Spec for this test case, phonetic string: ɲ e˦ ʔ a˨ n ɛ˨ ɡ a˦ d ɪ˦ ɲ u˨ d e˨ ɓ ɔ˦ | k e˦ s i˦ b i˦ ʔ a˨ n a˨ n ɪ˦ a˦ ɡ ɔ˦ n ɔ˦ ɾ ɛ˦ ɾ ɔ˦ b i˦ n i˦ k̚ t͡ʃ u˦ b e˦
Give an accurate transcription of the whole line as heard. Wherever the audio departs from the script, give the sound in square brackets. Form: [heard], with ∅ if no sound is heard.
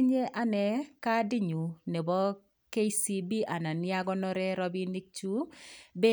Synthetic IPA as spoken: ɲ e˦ ʔ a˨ n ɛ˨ [k] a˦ d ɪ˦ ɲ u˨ [n] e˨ [b] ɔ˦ | k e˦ s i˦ b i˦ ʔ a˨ n a˨ n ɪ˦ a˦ ɡ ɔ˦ n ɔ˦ ɾ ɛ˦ ɾ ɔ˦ b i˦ n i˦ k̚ t͡ʃ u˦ b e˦